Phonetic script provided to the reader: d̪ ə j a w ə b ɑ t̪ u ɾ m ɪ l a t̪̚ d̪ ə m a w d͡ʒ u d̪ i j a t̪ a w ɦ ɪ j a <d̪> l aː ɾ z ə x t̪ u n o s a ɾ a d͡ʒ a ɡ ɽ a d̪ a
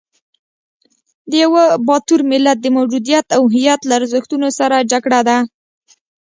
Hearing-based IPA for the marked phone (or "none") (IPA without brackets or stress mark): t̪